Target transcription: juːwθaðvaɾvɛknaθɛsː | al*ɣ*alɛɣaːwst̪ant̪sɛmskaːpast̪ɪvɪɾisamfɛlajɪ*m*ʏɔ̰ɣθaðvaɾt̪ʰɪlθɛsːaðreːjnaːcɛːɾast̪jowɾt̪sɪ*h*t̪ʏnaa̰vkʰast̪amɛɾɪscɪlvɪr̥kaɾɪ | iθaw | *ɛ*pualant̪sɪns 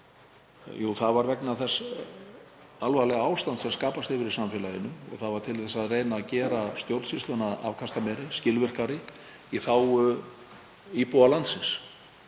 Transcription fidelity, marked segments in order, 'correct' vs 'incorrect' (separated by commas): incorrect, incorrect, incorrect, incorrect